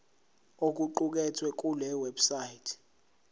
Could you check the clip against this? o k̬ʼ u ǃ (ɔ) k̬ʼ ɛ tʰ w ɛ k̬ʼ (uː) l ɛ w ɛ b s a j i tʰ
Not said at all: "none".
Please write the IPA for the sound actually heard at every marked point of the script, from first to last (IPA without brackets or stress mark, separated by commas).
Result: u, u